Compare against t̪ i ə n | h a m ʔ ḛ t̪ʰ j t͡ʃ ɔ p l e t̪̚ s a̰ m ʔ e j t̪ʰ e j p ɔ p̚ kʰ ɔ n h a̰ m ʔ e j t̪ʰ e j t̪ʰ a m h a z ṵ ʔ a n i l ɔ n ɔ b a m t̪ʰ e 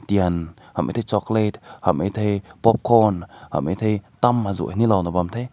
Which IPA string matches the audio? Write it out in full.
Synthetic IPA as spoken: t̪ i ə n | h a m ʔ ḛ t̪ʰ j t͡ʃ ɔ k l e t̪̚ h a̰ m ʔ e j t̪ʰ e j p ɔ p̚ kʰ ɔ n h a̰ m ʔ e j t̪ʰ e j t̪ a m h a z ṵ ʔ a n i l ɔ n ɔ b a m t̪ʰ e